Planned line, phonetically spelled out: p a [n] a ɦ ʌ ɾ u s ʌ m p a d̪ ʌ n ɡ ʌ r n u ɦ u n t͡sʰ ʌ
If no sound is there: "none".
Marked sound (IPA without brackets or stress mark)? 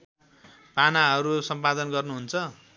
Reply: n